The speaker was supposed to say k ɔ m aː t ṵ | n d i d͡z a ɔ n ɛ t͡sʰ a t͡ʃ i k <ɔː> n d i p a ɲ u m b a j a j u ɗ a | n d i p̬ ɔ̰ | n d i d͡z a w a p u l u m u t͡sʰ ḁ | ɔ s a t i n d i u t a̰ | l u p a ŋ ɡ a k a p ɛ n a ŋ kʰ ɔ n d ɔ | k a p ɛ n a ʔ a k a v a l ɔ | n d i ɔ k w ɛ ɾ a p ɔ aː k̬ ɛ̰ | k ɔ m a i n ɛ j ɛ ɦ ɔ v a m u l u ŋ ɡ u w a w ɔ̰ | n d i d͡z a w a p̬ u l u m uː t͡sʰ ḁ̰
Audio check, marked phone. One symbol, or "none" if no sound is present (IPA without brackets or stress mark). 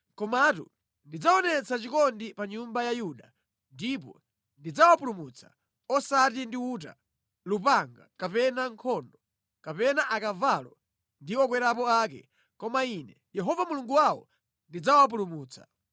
ɔ